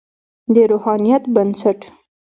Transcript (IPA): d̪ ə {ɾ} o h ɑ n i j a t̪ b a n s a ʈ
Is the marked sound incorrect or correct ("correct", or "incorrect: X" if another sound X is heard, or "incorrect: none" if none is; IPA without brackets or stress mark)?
correct